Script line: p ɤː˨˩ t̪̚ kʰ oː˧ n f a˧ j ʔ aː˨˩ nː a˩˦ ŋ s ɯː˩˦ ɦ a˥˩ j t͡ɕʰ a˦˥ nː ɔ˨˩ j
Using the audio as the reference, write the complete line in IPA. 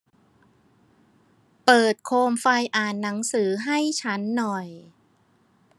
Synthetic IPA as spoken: p ɤː˨˩ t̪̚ kʰ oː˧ m f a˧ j ʔ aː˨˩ nː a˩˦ ŋ s ɯː˩˦ ɦ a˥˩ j t͡ɕʰ a˦˥ nː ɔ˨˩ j